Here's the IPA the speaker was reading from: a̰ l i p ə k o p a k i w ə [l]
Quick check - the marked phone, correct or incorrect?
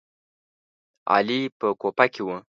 incorrect